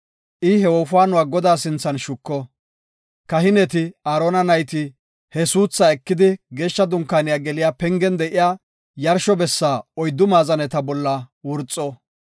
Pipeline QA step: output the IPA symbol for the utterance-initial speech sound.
ʔ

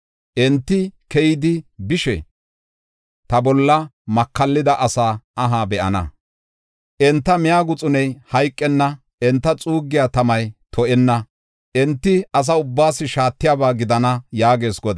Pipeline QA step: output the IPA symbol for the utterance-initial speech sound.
ʔ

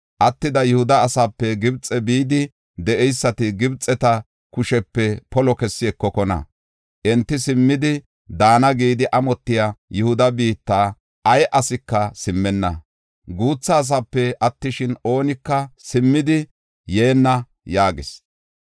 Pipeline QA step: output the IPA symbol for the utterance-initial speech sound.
ʔ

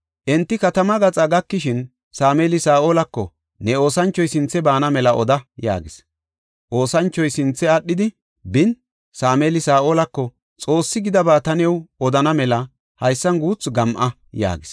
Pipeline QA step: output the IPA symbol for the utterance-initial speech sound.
ʔ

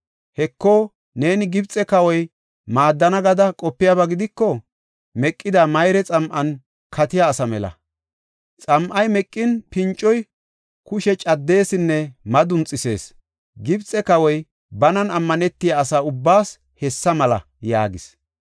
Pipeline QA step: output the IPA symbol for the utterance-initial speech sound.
h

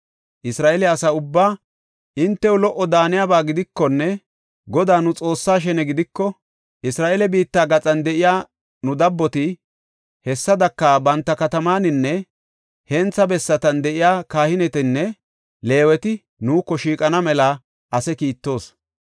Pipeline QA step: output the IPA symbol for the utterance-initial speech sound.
ʔ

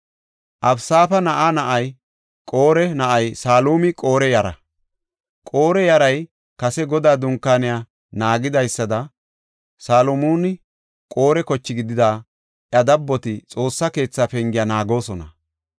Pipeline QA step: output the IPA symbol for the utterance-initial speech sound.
ʔ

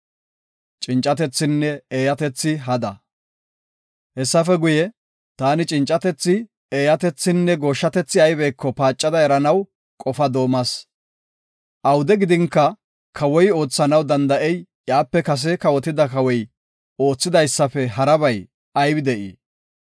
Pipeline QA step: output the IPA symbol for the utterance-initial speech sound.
t͡ʃʼ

